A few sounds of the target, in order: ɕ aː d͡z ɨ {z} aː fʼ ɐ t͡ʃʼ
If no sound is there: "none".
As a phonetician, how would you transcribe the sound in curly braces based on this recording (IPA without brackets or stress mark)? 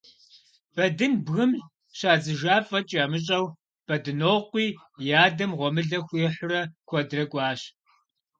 ʒ